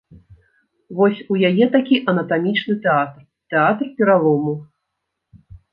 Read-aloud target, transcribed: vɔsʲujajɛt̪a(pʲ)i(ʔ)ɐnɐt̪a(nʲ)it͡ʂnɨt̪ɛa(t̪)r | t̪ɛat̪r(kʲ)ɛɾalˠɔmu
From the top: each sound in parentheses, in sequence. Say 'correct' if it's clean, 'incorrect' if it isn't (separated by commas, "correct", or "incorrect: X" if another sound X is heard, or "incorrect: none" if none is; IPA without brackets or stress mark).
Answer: incorrect: kʲ, correct, incorrect: mʲ, correct, incorrect: pʲ